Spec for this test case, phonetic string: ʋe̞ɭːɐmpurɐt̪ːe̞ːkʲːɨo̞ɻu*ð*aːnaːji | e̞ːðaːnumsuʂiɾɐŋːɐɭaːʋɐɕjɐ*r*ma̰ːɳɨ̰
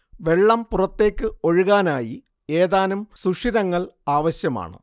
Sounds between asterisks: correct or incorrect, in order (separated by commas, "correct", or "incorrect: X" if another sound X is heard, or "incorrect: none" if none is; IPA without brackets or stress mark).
incorrect: ɣ, incorrect: none